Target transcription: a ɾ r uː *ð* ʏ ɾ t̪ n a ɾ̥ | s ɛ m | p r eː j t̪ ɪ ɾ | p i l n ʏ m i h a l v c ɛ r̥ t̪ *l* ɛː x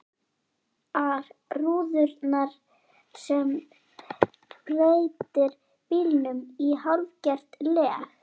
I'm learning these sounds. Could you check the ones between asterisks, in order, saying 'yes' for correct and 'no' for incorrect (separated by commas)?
yes, yes